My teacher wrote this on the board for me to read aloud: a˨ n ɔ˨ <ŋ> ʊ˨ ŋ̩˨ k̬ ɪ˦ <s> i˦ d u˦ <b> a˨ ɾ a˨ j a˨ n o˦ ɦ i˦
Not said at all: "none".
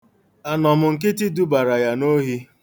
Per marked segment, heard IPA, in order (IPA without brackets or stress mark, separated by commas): m, t, b